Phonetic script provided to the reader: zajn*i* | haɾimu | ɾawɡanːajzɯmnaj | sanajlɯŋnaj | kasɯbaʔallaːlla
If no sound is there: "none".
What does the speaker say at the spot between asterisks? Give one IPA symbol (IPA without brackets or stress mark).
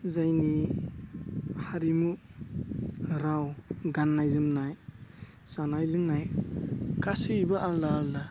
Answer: i